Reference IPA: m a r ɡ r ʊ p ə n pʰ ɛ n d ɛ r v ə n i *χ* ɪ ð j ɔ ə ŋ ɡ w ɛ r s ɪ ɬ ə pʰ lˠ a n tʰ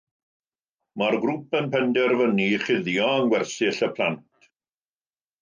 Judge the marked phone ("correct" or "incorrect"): correct